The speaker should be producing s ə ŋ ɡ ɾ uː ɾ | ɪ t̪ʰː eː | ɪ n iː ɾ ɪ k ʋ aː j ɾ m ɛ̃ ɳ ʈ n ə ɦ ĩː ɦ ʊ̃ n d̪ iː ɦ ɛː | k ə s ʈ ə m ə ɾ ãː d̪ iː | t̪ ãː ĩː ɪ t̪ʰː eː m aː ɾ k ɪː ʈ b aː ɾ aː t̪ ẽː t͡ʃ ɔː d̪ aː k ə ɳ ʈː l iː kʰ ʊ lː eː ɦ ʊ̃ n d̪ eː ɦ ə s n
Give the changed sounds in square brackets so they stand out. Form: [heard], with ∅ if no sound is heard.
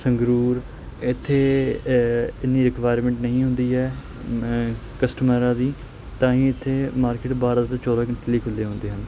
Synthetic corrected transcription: s ə ŋ ɡ ɾ uː ɾ | ɪ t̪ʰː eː | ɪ n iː ɾ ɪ k ʋ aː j ɾ m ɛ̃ ɳ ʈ n ə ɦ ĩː ɦ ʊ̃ n d̪ iː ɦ ɛː | k ə s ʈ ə m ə ɾ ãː d̪ iː | t̪ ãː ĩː ɪ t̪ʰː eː m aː ɾ k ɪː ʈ b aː ɾ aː t̪ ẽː t͡ʃ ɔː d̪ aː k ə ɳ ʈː l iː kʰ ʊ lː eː ɦ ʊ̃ n d̪ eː ɦ ə [∅] n